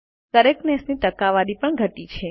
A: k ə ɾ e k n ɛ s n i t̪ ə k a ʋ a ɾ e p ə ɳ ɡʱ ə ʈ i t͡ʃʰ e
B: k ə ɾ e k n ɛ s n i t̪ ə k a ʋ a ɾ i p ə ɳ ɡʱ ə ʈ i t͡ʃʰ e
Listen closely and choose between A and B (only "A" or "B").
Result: B